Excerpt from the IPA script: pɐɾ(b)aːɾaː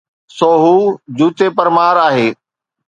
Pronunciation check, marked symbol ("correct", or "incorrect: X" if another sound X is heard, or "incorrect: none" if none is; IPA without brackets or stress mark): incorrect: m